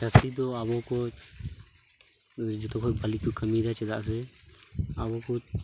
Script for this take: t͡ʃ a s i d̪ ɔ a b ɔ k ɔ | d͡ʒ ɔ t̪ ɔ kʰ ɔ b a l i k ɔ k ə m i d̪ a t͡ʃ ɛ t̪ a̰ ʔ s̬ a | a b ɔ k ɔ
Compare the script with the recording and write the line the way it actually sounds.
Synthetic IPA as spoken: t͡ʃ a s i d̪ ɔ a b ɔ k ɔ | d͡ʒ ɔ t̪ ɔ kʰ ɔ b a l i k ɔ k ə m i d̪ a t͡ʃ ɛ d̪ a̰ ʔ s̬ ɛ | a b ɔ k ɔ